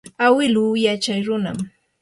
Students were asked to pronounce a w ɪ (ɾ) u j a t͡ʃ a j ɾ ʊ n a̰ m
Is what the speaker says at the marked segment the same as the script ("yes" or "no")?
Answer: no